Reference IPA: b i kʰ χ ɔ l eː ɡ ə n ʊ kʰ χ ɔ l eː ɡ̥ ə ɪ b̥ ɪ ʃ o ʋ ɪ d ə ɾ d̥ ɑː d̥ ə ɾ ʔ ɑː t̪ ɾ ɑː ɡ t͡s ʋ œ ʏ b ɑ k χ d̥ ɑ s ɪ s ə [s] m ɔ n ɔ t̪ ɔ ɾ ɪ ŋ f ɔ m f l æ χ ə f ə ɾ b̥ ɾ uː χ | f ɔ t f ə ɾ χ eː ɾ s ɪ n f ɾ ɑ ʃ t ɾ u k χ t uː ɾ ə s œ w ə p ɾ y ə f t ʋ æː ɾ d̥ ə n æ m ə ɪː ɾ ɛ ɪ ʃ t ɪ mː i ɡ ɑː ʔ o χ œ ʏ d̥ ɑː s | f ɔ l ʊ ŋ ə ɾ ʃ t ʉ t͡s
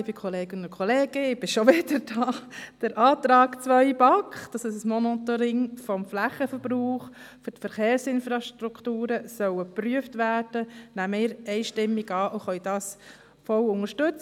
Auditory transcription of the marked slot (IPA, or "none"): s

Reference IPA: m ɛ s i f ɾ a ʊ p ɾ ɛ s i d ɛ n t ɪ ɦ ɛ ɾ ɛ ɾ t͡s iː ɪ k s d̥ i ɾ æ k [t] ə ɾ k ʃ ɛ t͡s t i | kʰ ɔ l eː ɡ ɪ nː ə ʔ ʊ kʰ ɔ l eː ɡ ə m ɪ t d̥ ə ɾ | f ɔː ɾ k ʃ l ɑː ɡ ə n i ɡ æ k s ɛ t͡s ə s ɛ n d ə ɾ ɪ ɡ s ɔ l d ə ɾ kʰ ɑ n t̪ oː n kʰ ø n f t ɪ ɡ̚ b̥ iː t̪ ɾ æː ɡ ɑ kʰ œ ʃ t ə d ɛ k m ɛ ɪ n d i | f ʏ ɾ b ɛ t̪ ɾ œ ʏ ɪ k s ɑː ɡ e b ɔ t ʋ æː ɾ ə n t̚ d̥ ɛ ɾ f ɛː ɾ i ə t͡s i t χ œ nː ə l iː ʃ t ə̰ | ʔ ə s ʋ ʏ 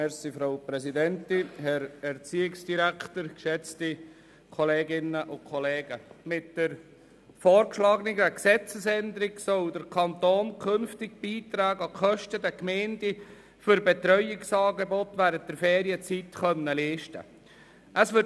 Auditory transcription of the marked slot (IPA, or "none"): t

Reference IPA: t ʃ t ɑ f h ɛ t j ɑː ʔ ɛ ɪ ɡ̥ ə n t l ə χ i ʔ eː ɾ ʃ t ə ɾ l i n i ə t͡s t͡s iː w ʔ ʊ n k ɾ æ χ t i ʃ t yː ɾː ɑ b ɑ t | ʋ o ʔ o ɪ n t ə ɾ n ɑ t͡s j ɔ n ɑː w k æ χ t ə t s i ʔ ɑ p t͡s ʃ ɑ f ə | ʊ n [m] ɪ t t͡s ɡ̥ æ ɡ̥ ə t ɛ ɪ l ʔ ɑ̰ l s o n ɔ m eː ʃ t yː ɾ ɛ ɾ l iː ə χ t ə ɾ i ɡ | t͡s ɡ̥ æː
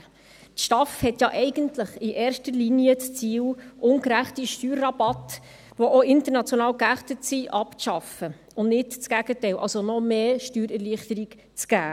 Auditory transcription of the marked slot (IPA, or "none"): n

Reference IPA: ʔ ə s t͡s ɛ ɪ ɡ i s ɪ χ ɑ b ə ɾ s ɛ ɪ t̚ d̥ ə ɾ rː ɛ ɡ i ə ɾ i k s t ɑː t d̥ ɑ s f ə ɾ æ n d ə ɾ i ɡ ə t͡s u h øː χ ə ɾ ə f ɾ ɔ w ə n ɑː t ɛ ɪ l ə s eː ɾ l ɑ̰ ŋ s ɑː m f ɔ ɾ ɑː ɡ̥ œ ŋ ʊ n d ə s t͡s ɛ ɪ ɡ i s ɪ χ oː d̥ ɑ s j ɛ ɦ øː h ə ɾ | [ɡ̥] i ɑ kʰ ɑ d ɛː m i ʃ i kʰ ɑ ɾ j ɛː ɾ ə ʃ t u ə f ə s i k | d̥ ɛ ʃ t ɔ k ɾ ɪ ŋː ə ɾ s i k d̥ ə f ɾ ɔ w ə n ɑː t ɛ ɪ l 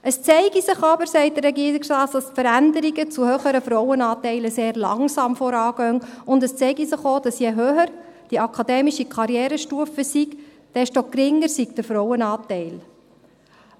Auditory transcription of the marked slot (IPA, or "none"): d̥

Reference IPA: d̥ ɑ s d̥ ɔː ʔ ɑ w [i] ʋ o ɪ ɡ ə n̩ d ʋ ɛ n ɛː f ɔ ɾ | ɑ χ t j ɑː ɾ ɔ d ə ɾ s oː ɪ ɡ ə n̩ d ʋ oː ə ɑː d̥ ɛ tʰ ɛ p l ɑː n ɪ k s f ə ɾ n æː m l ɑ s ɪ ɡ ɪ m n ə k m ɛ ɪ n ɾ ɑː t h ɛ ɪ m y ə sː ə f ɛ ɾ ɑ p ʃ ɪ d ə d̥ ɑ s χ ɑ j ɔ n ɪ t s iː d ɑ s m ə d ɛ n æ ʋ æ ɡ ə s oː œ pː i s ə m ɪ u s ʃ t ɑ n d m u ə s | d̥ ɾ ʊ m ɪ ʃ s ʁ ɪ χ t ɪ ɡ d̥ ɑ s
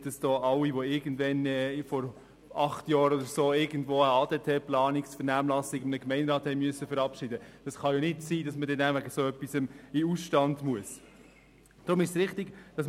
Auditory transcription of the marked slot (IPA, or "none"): i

